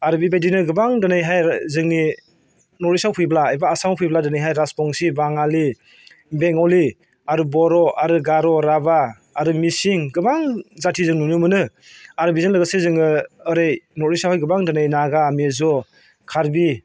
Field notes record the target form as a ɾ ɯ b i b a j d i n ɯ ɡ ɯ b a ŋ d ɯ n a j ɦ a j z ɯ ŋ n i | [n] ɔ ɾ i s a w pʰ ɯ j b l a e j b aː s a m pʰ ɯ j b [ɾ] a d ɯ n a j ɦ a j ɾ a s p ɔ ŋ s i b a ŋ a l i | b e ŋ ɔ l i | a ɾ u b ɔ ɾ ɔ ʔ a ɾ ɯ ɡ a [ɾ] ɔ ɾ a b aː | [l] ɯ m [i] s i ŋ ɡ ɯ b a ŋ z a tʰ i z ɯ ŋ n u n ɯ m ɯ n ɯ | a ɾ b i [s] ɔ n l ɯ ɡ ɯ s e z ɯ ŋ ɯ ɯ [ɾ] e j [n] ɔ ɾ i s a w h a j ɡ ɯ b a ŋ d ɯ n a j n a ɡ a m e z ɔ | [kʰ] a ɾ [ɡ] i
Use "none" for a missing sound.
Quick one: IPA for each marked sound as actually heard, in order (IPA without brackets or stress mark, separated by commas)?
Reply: n, l, ɾ, ɾ, i, z, ɾ, n, kʰ, b